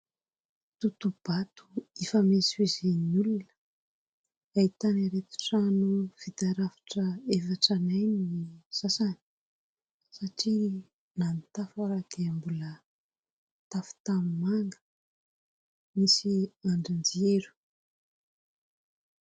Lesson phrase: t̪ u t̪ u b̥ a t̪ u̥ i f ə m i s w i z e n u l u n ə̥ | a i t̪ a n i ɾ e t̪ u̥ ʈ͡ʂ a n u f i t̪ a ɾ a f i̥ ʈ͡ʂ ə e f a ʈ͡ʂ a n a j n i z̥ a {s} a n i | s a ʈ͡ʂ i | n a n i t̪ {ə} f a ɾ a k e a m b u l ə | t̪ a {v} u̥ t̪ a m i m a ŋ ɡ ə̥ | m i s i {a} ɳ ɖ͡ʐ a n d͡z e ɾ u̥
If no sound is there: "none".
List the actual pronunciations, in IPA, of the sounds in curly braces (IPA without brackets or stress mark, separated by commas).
s, a, f, a